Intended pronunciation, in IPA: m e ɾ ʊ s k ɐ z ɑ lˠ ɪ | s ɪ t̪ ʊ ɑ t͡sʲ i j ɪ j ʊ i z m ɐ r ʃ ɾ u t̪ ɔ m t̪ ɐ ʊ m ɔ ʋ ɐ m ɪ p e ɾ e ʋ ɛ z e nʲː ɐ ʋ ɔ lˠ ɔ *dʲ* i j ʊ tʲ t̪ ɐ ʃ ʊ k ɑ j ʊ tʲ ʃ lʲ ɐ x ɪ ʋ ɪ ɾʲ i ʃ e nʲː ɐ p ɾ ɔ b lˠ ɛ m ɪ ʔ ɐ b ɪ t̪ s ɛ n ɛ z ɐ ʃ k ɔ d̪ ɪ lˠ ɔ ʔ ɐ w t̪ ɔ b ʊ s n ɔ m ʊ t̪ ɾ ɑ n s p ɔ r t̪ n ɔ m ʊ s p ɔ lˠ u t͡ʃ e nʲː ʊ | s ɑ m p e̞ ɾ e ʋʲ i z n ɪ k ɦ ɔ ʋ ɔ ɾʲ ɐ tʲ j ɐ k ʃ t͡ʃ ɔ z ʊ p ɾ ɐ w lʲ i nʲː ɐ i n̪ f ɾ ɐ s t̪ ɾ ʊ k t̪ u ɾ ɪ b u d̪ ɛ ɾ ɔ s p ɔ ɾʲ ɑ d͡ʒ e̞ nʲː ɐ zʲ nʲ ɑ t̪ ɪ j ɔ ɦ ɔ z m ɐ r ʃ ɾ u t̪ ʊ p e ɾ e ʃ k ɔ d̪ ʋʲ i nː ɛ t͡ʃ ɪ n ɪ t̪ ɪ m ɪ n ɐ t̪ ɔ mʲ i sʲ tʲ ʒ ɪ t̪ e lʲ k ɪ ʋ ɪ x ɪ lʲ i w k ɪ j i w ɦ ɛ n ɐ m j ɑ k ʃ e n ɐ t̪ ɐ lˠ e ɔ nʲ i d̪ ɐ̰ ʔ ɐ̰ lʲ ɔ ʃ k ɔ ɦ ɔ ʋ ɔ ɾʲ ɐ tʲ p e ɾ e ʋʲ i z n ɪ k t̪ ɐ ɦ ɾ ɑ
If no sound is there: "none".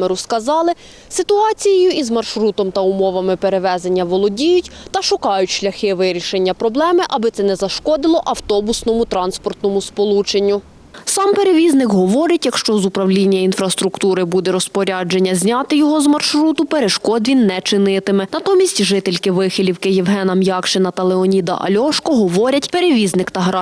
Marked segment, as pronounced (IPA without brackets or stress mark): dʲ